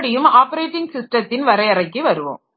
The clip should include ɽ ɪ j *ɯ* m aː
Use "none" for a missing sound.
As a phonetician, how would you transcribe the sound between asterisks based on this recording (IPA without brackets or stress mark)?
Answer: ɯ